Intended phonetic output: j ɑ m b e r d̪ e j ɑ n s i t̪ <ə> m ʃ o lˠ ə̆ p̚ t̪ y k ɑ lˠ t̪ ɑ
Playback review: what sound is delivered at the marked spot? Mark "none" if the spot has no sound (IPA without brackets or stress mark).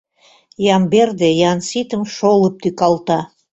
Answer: ə